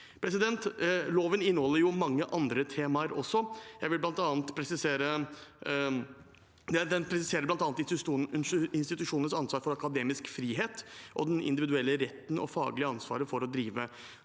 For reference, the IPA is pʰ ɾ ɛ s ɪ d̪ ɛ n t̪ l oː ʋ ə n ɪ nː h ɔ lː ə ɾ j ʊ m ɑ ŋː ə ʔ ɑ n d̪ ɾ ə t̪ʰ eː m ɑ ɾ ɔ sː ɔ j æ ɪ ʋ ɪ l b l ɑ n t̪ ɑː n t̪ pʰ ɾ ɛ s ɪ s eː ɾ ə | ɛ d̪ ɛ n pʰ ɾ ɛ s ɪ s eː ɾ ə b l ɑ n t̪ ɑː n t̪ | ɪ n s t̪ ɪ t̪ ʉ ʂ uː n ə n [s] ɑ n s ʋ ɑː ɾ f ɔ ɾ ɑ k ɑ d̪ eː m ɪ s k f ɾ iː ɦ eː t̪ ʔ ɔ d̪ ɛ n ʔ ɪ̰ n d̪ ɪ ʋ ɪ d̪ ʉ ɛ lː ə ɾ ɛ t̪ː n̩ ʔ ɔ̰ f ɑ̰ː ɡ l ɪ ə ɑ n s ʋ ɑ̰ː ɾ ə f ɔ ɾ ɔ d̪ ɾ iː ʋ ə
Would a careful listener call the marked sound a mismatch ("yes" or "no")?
no